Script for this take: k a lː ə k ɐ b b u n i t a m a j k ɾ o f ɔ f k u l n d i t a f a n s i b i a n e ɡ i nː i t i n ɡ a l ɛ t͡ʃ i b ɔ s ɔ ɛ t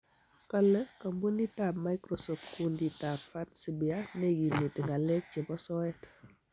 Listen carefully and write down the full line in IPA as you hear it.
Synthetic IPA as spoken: k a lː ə k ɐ m b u n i t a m a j k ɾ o s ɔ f k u n d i t a f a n s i b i a n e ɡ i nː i t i ŋ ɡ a l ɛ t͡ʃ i b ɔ s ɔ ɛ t